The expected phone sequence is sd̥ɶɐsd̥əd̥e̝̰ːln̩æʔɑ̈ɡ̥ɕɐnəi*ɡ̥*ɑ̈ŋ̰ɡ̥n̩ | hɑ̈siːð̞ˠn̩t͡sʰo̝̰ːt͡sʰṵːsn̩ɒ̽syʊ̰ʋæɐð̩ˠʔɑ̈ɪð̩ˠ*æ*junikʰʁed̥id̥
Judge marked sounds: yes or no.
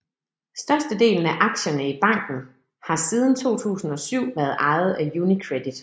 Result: no, yes

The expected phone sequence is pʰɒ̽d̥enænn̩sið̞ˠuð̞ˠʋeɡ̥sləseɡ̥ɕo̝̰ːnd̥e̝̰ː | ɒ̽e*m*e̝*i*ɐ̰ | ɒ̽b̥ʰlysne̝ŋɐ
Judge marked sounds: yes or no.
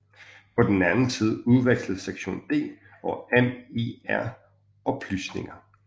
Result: yes, no

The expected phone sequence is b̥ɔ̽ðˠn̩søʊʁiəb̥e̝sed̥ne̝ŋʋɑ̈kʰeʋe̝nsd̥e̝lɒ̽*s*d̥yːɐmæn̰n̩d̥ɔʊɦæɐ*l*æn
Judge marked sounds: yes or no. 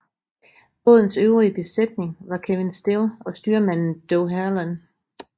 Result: yes, yes

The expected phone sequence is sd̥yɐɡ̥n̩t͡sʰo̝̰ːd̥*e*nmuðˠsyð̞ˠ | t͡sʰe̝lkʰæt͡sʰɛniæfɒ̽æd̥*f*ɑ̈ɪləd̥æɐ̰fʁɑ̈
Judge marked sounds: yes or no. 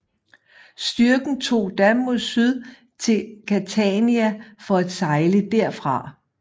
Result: no, no

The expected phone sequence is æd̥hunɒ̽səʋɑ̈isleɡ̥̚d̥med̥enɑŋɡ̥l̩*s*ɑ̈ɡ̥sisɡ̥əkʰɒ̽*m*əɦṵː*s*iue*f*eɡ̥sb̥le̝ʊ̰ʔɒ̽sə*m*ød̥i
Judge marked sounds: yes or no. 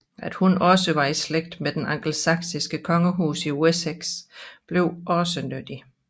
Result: yes, no, yes, no, no

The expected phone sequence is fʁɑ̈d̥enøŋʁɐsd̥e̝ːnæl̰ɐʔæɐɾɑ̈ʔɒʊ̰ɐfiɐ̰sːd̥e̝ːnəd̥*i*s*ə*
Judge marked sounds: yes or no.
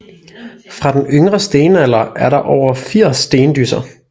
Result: no, no

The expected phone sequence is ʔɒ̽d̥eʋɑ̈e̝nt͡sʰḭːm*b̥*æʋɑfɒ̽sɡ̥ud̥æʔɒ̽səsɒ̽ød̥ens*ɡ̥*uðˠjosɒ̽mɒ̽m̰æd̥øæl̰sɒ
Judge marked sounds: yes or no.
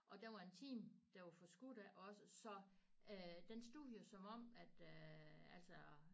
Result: no, no

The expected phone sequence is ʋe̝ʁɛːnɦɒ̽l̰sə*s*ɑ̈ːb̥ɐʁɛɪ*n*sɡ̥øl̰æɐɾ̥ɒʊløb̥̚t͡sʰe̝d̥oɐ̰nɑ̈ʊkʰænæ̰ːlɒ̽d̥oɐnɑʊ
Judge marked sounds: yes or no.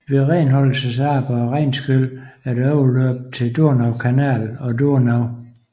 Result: yes, yes

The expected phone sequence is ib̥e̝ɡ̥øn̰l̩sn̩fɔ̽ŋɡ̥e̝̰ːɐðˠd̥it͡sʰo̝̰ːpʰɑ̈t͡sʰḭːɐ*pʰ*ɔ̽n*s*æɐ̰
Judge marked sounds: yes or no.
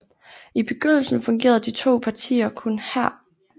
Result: no, no

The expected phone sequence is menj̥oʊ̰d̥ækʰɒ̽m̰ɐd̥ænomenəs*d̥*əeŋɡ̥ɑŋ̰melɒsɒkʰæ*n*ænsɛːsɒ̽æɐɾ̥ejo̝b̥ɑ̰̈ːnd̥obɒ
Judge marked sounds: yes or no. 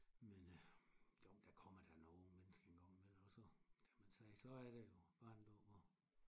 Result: no, no

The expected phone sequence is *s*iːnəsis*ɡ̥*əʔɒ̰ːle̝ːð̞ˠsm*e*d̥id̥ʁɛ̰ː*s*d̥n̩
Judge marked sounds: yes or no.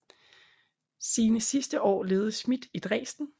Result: yes, no, no, yes

